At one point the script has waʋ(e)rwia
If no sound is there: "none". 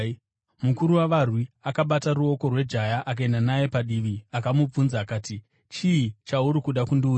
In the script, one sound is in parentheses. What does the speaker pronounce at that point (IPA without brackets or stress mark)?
a